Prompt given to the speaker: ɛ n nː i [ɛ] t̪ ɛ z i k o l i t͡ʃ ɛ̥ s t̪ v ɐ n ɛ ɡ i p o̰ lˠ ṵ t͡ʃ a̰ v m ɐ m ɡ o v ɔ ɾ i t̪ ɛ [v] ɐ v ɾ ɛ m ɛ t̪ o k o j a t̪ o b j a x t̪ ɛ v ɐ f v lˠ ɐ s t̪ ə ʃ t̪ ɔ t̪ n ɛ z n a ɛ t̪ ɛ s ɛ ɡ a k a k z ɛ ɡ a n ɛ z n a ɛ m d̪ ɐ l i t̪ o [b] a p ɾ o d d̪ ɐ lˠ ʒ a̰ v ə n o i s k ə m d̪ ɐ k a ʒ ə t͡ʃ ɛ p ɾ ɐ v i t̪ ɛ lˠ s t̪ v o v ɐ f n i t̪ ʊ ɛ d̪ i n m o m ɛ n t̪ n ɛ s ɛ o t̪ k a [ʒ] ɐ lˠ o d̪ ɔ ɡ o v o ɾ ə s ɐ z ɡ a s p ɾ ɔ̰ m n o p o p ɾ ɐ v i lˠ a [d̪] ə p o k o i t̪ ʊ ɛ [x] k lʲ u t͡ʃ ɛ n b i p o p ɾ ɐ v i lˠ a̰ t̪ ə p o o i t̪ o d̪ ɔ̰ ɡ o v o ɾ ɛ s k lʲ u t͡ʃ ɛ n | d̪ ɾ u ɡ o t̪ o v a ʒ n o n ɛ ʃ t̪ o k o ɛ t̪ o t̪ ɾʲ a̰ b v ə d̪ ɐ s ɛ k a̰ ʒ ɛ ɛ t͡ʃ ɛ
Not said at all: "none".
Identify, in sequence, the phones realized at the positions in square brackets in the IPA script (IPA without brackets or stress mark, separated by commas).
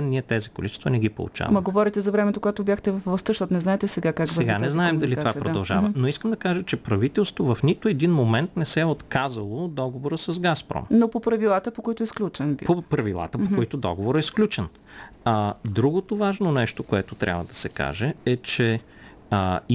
ɛ, z, v, z, t̪, s